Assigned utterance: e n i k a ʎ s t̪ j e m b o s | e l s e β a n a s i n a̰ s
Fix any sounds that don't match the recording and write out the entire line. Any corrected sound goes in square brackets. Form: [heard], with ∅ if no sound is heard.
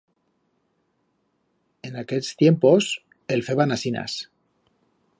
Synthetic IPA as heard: e n [a] k [e] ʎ s t̪ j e m [p] o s | e l [f] e β a n a s i n a̰ s